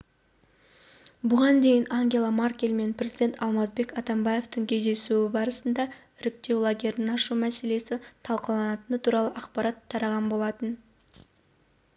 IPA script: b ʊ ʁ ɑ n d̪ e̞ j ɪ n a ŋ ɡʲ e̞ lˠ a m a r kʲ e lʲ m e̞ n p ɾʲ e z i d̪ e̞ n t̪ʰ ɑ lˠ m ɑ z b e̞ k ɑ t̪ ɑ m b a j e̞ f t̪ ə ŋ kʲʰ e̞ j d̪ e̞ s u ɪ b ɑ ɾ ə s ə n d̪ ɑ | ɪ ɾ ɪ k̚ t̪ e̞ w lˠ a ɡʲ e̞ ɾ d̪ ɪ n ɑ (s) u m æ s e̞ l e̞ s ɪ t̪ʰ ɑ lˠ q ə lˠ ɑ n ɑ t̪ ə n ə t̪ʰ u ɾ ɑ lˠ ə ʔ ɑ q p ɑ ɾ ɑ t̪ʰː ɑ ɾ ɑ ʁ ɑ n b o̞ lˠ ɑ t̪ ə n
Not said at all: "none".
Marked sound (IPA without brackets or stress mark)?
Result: ʃ